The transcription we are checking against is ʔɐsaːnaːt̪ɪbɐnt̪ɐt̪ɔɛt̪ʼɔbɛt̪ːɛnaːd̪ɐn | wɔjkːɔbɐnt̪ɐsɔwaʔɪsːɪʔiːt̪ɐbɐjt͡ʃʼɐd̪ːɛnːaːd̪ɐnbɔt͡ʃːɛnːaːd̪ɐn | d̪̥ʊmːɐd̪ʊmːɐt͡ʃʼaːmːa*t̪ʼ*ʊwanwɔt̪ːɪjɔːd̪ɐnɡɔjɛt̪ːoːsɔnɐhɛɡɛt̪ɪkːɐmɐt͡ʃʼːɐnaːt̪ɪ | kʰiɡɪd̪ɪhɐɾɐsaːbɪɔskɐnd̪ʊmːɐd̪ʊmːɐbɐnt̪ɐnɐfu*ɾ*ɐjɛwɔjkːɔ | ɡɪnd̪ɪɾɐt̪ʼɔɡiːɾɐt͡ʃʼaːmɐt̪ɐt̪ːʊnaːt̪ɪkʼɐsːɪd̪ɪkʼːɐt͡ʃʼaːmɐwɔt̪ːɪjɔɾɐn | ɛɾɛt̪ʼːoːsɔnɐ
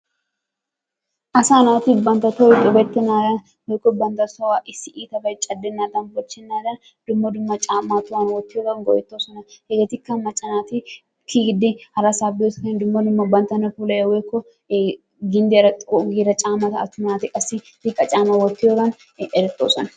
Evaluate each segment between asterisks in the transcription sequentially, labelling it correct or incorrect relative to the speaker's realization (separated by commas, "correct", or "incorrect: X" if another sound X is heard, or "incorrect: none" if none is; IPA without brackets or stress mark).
incorrect: t̪, incorrect: l